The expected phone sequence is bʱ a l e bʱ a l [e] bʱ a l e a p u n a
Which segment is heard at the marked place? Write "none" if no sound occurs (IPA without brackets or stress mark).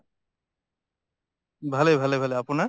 e